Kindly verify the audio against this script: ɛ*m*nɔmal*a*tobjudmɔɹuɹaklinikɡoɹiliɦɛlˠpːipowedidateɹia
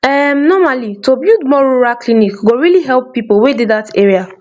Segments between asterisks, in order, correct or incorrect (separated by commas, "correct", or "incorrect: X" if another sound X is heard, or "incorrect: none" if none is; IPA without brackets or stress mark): correct, incorrect: i